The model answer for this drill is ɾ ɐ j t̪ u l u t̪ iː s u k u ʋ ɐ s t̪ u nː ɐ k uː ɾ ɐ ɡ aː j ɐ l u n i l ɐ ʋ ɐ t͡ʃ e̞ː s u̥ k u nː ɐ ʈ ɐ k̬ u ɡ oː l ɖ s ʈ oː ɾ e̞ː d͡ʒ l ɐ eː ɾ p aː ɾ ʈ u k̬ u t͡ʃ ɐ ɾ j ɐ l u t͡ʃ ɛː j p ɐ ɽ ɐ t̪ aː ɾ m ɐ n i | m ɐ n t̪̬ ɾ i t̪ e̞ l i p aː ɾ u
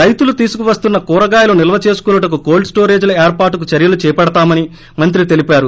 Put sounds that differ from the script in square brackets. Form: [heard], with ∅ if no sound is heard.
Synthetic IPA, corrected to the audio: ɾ ɐ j t̪ u l u t̪ iː s u k u ʋ ɐ s t̪ u nː ɐ k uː ɾ ɐ ɡ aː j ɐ l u n i l ɐ ʋ ɐ t͡ʃ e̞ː s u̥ k u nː ɐ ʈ ɐ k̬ u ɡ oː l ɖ s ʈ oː ɾ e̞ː d͡ʒ l ɐ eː ɾ p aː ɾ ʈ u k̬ u t͡ʃ ɐ ɾ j ɐ l u t͡ʃ ɛː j p ɐ ɽ ɐ t̪ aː [∅] m ɐ n i | m ɐ n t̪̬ ɾ i t̪ e̞ l i p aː ɾ u

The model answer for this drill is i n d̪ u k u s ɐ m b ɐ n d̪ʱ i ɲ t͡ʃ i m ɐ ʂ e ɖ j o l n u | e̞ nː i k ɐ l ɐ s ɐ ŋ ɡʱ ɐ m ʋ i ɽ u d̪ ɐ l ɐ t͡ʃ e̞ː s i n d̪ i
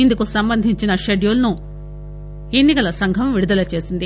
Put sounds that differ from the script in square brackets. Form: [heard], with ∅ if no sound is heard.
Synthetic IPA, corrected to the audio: i n d̪ u k u s ɐ m b ɐ n d̪ʱ i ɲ t͡ʃ i [n] ɐ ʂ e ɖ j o l n u | e̞ nː i k ɐ l ɐ s ɐ ŋ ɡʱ ɐ m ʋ i ɽ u d̪ ɐ l ɐ t͡ʃ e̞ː s i n d̪ i

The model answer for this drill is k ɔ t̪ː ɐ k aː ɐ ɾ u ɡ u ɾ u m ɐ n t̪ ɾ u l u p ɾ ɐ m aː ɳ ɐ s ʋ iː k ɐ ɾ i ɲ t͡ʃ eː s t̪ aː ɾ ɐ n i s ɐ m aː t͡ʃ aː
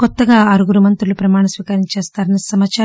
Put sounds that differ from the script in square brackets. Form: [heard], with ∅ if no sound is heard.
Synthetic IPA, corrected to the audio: k ɔ t̪ː ɐ [ɡ] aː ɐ ɾ u ɡ u ɾ u m ɐ n t̪ ɾ u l u p ɾ ɐ m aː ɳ ɐ s ʋ iː k ɐ ɾ i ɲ t͡ʃ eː s t̪ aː ɾ ɐ n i s ɐ m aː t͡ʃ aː

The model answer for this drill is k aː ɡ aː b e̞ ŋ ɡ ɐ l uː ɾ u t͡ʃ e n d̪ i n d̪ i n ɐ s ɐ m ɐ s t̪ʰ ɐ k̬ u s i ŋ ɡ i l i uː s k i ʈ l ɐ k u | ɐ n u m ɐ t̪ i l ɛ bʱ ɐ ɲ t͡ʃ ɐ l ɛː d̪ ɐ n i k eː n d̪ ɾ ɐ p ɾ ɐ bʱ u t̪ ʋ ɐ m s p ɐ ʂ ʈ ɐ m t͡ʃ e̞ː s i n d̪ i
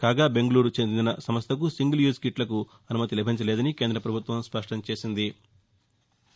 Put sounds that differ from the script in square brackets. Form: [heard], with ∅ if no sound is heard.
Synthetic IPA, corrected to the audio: k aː ɡ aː b e̞ ŋ ɡ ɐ l uː ɾ u t͡ʃ e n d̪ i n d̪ i n ɐ s ɐ m ɐ s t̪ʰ ɐ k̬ u s i ŋ ɡ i l [j] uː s k i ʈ l ɐ k u | ɐ n u m ɐ t̪ i l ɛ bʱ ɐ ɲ t͡ʃ ɐ l ɛː d̪ ɐ n i k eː n d̪ ɾ ɐ p ɾ ɐ bʱ u t̪ ʋ ɐ m s p ɐ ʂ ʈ ɐ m t͡ʃ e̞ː s i n d̪ i

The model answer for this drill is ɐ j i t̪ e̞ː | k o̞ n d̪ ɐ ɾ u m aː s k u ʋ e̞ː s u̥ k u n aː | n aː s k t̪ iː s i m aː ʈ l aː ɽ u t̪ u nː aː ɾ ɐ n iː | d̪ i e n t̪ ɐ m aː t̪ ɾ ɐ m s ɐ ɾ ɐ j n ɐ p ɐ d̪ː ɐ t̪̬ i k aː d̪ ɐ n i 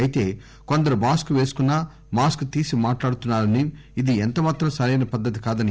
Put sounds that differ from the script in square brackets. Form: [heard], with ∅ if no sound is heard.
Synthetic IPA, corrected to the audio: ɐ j i t̪ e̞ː | k o̞ n d̪ ɐ ɾ u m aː s k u ʋ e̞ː s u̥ k u [nː] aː | [m] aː s k t̪ iː s i m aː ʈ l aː ɽ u t̪ u nː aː ɾ ɐ n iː | d̪ i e n t̪ ɐ m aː t̪ ɾ ɐ m s ɐ ɾ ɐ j n ɐ p ɐ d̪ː ɐ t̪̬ i k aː d̪ ɐ n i

